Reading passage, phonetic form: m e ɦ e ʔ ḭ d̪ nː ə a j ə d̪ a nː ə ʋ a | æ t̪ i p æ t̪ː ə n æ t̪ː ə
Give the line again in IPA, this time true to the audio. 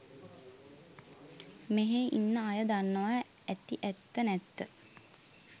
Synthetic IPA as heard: m e ɦ e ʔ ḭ nː ə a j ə d̪ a nː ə ʋ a | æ t̪ i ʔ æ t̪ː ə n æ t̪ː ə